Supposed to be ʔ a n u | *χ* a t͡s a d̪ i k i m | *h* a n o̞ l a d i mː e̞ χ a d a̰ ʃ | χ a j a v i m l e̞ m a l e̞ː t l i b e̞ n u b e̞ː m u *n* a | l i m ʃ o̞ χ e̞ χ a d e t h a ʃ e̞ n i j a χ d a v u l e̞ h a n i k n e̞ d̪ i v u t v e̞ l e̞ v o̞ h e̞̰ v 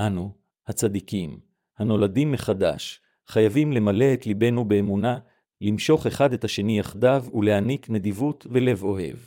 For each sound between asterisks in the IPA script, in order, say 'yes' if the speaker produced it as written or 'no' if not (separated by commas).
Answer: no, yes, yes